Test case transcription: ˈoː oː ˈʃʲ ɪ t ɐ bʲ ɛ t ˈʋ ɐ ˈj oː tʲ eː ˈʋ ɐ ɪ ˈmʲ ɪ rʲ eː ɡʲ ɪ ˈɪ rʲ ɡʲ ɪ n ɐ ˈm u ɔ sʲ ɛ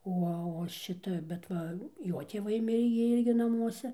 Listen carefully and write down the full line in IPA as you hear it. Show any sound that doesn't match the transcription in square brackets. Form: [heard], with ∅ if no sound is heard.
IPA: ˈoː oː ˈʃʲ ɪ t ɐ bʲ ɛ t ˈʋ ɐ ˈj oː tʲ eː ˈʋ ɐ ɪ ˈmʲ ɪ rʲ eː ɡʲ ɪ ˈɪ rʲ ɡʲ ɪ n ɐ ˈm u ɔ sʲ ɛ